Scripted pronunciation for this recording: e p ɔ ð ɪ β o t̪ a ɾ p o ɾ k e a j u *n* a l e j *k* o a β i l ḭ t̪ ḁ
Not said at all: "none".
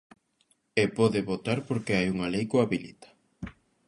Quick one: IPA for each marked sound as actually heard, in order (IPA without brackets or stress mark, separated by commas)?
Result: ŋ, k